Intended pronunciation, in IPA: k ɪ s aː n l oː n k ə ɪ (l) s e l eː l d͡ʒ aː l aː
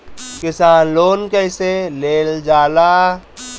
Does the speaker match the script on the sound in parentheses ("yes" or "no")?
no